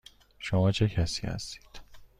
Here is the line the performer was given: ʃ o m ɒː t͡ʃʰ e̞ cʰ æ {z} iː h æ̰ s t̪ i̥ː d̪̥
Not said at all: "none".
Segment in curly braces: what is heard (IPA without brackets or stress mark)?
s